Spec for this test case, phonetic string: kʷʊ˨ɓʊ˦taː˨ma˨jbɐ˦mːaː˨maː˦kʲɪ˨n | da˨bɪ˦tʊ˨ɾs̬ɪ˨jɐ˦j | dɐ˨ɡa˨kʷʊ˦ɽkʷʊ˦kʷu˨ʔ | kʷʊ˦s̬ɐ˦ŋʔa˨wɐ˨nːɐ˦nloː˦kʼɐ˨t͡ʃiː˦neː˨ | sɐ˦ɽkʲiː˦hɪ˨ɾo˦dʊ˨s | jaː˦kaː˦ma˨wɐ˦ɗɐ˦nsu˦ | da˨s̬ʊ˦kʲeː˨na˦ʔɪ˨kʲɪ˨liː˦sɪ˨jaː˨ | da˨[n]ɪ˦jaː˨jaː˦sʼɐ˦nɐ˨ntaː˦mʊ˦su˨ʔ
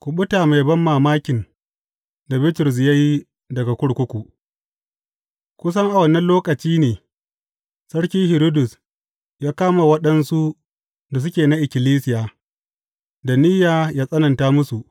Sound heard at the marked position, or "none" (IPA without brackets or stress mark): n